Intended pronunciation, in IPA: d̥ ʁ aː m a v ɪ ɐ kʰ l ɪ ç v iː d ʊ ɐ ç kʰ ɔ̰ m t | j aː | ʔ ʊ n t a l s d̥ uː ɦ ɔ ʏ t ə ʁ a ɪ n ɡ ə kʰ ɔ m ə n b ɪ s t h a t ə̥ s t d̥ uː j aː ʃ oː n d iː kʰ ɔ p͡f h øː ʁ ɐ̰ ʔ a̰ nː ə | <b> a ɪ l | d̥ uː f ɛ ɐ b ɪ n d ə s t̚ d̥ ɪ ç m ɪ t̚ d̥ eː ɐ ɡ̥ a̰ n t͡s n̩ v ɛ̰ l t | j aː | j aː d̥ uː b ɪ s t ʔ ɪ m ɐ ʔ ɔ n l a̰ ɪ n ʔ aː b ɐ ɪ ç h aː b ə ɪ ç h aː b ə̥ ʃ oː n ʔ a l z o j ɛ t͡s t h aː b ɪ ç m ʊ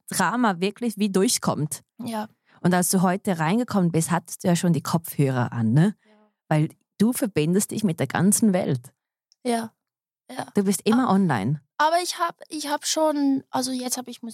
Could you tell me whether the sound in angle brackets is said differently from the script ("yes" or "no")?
yes